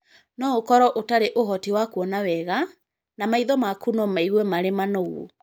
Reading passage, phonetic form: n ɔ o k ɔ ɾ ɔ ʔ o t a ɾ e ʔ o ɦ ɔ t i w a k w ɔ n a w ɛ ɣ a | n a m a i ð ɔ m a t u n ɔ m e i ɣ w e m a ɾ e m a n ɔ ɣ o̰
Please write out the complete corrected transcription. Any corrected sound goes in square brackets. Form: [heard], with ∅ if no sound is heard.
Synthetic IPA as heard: n ɔ o k ɔ ɾ ɔ ʔ o t a ɾ e ʔ o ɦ ɔ t i w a k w ɔ n a w ɛ ɣ a | n a m a i ð ɔ m a [k] u n ɔ m [a] i ɣ w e m a ɾ e m a n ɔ ɣ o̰